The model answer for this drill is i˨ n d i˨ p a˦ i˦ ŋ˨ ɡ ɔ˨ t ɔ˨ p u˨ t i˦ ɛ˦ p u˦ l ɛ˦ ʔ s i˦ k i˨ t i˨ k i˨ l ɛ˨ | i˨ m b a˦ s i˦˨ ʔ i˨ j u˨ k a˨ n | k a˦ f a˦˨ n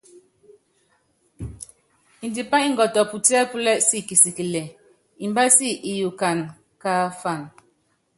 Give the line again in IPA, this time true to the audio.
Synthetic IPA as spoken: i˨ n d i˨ p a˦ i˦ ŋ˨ ɡ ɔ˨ t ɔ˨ p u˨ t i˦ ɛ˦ p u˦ l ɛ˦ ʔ s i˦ k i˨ s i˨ k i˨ l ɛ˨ | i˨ m b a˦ s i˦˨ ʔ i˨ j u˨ k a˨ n | k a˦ f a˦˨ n